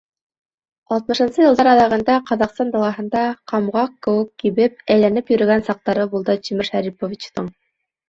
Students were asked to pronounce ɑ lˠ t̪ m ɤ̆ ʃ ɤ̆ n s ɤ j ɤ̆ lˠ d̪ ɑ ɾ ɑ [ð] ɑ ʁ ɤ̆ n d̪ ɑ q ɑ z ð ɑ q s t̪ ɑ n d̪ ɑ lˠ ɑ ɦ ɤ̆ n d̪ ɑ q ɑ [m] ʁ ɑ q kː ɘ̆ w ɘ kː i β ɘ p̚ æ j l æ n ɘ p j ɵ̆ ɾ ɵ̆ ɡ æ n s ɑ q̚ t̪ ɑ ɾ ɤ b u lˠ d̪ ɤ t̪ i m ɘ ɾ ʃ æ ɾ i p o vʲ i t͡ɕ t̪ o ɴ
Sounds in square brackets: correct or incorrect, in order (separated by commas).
correct, correct